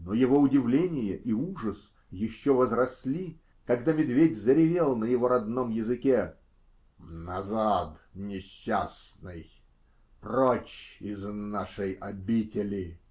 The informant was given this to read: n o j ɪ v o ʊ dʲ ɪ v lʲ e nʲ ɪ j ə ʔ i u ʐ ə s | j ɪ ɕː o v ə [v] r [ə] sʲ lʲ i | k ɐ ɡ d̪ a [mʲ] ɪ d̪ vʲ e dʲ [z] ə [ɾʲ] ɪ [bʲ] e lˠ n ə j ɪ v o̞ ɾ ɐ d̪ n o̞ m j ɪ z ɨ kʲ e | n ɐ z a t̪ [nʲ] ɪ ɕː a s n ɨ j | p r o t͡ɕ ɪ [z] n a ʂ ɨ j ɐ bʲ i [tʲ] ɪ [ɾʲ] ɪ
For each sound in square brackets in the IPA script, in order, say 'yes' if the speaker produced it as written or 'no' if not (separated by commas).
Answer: no, no, yes, yes, yes, no, yes, yes, yes, no